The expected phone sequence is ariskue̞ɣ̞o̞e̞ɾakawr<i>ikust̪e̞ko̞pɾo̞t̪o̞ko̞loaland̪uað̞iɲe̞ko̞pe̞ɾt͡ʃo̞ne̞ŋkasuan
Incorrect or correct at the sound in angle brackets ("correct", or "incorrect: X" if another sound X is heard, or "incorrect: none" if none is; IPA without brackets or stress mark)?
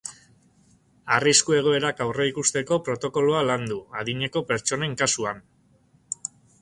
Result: incorrect: e